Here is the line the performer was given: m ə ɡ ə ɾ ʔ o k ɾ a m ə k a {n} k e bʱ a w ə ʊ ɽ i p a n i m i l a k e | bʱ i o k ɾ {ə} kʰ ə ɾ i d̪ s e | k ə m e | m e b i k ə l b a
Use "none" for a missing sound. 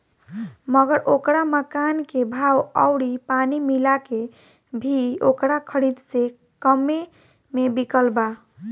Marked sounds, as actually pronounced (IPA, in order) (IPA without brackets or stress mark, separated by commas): n, a